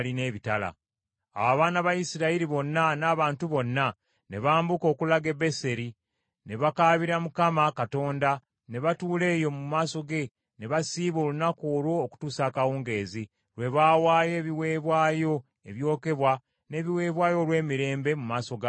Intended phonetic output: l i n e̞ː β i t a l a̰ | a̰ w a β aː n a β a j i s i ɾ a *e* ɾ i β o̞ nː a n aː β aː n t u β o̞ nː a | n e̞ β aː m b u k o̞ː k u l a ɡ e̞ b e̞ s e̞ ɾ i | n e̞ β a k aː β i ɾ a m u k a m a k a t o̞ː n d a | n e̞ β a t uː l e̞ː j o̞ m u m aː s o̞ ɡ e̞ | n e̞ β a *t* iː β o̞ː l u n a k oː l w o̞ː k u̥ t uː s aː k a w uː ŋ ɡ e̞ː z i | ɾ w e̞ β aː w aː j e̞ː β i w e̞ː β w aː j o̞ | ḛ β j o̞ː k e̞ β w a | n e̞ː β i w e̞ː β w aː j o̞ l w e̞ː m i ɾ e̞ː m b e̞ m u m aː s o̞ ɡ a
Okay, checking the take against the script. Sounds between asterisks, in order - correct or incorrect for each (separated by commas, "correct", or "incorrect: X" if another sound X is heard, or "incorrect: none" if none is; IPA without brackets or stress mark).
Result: incorrect: i, incorrect: s